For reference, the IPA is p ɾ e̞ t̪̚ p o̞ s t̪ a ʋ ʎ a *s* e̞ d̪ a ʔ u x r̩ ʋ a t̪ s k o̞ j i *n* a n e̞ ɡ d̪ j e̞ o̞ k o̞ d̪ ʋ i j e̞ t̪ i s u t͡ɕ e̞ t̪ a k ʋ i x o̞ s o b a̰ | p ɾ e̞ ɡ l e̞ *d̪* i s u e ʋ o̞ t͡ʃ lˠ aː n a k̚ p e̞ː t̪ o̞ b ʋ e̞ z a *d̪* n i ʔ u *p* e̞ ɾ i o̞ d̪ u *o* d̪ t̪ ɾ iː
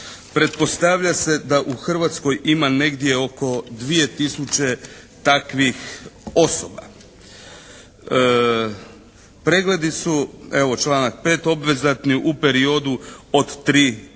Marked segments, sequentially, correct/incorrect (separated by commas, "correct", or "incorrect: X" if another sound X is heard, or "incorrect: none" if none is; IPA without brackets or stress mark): correct, incorrect: m, correct, incorrect: t̪, correct, correct